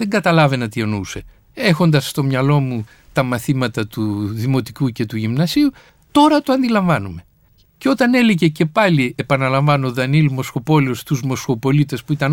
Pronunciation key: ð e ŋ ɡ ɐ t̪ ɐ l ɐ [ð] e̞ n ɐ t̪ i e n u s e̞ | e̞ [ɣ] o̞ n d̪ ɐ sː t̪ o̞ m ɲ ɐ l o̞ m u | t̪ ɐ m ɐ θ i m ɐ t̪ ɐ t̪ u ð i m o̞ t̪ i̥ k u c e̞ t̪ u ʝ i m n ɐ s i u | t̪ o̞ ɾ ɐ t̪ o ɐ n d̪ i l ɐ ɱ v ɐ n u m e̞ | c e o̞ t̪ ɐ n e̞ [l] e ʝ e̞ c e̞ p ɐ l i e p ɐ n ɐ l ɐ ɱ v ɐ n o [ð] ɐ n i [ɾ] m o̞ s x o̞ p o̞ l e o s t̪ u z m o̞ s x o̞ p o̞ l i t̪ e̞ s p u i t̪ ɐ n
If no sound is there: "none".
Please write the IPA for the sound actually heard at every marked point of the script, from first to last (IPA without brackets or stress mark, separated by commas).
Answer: v, x, l, ð, l